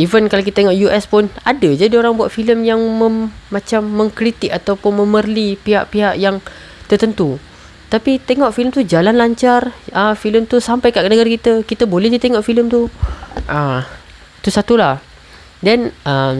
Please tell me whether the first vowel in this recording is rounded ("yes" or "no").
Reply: no